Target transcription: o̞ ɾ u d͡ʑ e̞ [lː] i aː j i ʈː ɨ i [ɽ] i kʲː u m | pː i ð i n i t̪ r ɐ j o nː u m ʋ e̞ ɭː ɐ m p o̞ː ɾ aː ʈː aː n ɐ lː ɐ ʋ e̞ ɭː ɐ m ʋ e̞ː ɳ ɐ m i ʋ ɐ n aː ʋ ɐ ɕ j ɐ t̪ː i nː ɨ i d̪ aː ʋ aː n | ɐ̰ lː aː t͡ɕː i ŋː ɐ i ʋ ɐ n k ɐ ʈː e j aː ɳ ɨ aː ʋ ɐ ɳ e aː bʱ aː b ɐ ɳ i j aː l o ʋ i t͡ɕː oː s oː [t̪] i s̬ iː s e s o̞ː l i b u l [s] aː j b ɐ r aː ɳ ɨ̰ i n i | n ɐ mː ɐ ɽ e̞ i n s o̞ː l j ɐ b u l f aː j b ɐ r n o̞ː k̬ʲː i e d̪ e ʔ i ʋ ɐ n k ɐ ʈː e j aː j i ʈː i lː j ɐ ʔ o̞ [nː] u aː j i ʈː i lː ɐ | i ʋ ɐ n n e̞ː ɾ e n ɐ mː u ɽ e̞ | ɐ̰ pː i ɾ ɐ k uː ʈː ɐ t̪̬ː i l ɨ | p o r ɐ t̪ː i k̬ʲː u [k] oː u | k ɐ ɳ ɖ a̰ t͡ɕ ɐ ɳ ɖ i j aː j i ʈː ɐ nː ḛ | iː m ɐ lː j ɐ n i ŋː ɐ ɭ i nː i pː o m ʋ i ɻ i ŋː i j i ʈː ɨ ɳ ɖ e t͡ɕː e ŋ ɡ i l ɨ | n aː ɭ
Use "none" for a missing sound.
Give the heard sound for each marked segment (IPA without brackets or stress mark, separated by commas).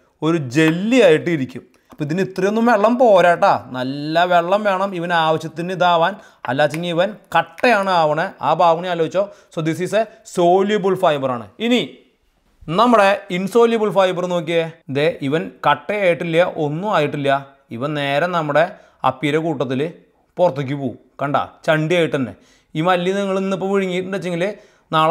lː, ɾ, d̪, f, nː, p